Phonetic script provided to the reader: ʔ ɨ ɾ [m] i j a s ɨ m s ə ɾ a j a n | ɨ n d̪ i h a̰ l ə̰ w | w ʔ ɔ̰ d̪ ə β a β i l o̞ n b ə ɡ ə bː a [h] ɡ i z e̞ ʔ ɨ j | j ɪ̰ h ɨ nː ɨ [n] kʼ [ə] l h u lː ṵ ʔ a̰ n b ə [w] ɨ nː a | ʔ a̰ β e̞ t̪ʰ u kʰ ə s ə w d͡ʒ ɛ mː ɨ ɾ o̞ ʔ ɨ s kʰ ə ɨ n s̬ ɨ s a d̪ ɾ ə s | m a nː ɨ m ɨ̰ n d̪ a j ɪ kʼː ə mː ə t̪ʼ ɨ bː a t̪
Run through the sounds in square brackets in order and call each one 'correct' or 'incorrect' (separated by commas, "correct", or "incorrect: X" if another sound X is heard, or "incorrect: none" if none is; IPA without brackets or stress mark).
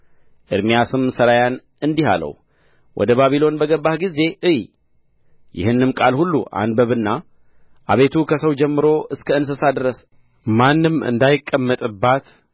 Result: correct, correct, incorrect: m, incorrect: a, incorrect: β